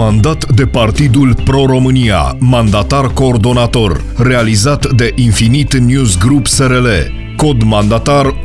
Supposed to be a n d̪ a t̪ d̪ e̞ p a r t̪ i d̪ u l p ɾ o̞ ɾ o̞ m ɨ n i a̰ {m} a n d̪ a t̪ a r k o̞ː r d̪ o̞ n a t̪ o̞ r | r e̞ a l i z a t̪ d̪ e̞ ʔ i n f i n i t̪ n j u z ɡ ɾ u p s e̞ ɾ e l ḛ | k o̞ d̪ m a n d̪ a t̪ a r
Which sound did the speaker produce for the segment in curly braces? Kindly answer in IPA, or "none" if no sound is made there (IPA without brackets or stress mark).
m